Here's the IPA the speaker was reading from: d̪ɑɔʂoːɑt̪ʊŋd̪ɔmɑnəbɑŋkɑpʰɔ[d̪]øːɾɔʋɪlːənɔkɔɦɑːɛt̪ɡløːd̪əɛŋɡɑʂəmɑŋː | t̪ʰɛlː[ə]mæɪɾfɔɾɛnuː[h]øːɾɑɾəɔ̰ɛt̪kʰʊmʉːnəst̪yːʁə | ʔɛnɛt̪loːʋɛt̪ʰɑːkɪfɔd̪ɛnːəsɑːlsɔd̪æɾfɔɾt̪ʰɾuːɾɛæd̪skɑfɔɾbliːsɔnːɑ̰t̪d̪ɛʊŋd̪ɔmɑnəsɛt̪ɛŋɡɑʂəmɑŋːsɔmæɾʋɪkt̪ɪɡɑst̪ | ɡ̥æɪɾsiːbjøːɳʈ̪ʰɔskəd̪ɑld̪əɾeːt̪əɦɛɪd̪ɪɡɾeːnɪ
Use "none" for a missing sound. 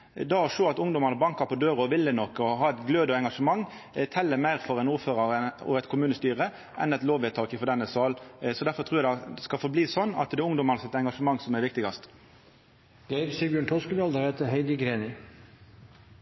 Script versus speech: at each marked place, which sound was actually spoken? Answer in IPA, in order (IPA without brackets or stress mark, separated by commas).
d̪, ə, f